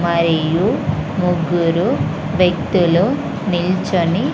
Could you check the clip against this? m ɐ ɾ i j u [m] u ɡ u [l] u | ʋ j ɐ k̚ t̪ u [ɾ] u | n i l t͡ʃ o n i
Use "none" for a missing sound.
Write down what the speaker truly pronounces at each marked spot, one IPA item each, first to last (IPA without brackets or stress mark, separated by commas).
m, ɾ, l